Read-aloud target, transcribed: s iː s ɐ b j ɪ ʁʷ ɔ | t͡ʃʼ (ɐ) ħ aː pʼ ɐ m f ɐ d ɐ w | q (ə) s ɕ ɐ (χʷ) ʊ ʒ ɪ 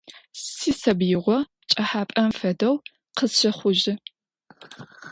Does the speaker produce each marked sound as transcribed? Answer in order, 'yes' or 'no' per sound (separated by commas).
yes, yes, yes